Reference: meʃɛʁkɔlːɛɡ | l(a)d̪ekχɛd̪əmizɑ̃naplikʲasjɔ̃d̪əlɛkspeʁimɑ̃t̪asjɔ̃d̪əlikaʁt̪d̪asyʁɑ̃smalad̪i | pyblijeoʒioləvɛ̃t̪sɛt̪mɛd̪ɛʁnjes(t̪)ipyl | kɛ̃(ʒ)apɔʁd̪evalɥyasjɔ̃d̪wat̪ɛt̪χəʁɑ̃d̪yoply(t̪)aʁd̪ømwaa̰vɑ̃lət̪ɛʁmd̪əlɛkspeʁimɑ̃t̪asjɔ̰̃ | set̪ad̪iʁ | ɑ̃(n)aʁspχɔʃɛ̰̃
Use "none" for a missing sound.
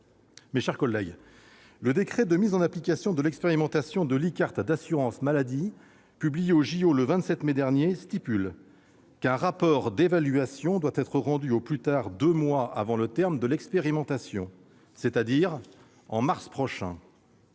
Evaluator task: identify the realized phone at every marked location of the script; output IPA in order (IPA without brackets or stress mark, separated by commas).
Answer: ə, t̪, ʁ, t̪, m